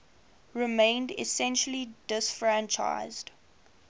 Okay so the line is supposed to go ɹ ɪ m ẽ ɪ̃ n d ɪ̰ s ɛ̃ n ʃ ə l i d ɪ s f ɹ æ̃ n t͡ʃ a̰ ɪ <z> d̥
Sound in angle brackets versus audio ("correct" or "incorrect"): correct